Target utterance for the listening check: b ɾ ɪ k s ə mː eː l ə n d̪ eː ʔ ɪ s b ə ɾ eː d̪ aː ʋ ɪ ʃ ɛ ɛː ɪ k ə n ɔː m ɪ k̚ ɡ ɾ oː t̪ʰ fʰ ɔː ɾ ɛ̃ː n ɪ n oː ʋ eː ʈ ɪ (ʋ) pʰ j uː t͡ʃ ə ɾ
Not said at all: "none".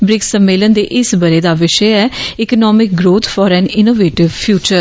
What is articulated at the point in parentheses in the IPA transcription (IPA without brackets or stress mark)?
ʋ